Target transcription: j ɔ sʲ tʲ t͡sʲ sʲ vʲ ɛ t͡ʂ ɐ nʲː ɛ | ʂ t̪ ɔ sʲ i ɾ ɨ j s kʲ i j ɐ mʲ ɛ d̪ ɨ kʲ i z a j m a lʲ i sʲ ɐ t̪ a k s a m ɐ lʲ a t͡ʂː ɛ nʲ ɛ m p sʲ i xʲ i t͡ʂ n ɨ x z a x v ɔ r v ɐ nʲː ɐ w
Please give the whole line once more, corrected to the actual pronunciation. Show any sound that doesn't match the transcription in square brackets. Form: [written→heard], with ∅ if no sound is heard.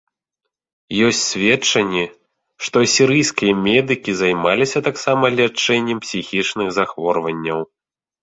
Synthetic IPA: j ɔ sʲ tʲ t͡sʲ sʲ vʲ ɛ t͡ʂ ɐ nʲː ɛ | ʂ t̪ ɔ sʲ i ɾ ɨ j s kʲ i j ɐ mʲ ɛ d̪ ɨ kʲ i z a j m a lʲ i sʲ ɐ t̪ a k s a m ɐ lʲ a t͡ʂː ɛ [nʲ→nʲː] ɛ m p sʲ i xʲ i t͡ʂ n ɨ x z a x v ɔ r v ɐ nʲː ɐ w